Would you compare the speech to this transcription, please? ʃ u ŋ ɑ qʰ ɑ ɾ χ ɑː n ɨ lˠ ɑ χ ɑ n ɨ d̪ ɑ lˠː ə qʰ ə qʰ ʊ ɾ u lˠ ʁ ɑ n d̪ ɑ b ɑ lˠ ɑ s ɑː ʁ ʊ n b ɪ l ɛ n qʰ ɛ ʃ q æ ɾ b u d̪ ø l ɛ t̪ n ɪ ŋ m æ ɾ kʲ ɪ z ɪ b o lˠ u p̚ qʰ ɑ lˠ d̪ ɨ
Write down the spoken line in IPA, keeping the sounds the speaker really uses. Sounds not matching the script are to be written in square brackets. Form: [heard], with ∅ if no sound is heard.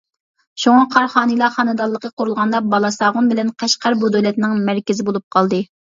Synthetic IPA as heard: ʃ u ŋ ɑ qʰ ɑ ɾ χ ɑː n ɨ lˠ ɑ χ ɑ n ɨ d̪ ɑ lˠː ə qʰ ə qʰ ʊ ɾ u lˠ ʁ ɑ n d̪ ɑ b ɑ lˠ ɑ s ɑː ʁ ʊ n b ɪ l ɛ n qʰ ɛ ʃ q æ ɾ b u d̪ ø l ɛ t̪ n ɪ ŋ m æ ɾ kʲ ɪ z ɪ b o lˠ u p̚ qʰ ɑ lˠ d̪ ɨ